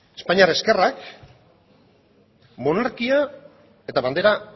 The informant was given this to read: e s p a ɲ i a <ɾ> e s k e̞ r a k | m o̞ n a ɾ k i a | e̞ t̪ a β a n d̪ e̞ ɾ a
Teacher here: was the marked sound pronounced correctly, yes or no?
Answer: yes